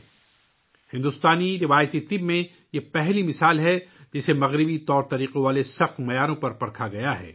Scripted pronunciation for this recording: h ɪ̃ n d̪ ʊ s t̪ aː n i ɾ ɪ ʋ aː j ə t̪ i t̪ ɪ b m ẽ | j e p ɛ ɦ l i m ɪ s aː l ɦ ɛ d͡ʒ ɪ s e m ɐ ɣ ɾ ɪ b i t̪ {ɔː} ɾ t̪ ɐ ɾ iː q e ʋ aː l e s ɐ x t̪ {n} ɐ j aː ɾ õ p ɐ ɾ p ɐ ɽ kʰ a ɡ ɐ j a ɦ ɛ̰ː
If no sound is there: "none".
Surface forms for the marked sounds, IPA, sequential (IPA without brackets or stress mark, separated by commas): ɔː, m